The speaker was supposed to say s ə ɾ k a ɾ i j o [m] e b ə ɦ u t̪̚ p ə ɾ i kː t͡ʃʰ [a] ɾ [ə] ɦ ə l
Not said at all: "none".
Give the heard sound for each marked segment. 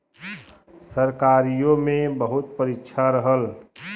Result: m, a, ə

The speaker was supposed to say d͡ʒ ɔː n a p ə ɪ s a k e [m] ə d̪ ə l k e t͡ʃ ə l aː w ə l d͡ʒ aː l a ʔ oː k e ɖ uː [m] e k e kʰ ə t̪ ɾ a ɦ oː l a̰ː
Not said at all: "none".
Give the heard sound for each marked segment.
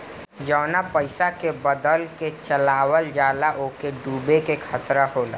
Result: b, b

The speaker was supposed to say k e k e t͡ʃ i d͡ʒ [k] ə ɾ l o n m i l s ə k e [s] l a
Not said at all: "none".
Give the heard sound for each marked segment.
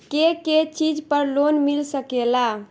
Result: p, none

